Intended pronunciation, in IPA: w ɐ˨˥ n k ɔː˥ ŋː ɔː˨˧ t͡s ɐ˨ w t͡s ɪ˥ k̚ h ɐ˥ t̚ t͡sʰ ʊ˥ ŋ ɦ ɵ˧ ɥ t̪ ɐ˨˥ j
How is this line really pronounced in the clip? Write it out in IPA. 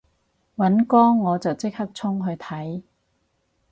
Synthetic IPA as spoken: w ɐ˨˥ n k ɔː˥ ŋː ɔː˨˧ t͡s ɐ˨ w t͡s ɪ˥ k̚ h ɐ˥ k̚ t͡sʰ ʊ˥ ŋ ɦ ɵ˧ ɥ t̪ʰ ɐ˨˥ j